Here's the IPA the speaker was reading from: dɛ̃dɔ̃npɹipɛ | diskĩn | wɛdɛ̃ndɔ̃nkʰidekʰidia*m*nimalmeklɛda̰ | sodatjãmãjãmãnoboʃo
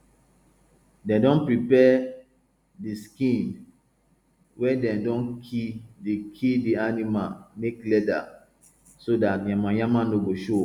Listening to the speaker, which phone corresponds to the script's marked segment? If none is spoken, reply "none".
none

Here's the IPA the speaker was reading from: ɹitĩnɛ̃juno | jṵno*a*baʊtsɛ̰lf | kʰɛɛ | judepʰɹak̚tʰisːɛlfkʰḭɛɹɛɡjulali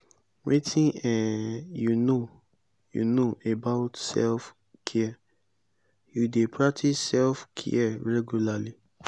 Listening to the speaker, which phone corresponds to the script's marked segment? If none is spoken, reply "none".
e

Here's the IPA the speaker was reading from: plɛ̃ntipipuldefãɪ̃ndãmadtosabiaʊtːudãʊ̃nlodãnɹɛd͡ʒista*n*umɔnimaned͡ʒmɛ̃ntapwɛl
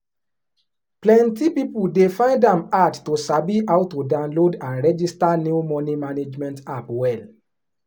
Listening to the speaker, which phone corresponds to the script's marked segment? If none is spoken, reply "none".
n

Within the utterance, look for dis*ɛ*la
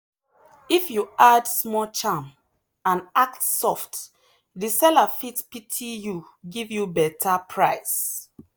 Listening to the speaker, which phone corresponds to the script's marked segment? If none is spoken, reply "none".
ɛ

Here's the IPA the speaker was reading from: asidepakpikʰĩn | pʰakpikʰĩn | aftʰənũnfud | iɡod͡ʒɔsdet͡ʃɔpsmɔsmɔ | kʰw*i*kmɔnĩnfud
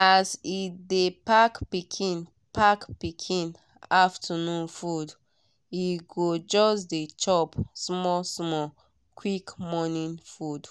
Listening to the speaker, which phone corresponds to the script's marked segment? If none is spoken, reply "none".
i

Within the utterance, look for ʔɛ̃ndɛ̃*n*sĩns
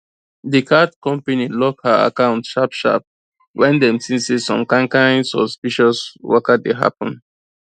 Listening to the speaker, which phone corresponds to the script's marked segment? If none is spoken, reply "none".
m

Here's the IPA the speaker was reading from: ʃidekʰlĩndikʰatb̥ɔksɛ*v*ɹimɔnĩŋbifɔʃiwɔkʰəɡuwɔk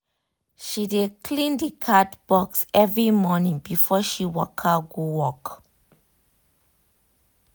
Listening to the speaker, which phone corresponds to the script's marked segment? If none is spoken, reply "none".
v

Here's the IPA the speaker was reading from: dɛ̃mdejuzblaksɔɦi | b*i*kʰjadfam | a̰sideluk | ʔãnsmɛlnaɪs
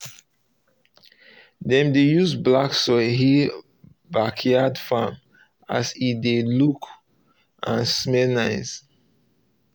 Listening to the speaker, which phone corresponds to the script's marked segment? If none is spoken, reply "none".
a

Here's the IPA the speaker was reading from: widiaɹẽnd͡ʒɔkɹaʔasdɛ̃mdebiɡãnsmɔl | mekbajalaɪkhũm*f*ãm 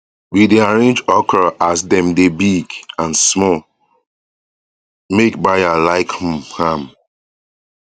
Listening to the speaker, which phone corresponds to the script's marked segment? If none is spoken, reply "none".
h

